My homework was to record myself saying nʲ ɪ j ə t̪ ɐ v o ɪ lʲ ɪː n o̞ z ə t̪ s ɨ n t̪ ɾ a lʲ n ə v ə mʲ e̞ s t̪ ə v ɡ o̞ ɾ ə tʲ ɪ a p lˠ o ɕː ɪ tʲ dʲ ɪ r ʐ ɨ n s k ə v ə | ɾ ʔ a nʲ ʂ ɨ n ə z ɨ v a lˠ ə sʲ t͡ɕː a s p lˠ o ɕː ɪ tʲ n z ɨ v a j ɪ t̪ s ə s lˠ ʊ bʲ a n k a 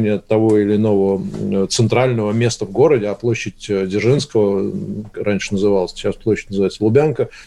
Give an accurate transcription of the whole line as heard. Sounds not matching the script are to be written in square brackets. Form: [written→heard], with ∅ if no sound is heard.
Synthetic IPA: nʲ ɪ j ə t̪ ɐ v o ɪ lʲ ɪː n o̞ [z→v] ə t̪ s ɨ n t̪ ɾ a lʲ n ə v ə mʲ e̞ s t̪ ə v ɡ o̞ ɾ ə [tʲ→dʲ] ɪ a p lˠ o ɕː ɪ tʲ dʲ ɪ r ʐ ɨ n s k ə v ə | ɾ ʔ a nʲ ʂ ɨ n ə z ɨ v a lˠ ə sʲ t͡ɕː a s p lˠ o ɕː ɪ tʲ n z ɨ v a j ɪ t̪ s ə [s→∅] lˠ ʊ bʲ a n k [a→ə]